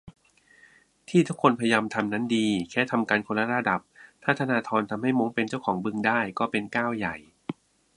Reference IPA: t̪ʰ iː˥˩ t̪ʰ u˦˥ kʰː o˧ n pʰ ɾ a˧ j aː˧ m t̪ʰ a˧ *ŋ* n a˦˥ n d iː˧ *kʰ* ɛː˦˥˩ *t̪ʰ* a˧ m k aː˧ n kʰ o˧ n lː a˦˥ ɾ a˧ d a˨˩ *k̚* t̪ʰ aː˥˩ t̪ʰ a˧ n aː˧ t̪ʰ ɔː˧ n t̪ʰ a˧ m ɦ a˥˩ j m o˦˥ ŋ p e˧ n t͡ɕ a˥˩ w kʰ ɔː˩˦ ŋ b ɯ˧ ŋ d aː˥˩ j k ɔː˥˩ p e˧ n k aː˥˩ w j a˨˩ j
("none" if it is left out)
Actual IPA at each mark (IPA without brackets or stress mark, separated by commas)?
m, kʰ, t̪ʰ, p̚